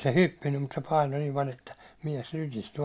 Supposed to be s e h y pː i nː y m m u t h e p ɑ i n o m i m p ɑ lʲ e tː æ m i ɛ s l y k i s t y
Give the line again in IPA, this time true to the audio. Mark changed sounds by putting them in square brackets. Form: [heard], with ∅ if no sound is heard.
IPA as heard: s e h y pː i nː y m m u t [s] e p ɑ i n o [n] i m p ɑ lʲ e tː æ m i ɛ s l y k i s t y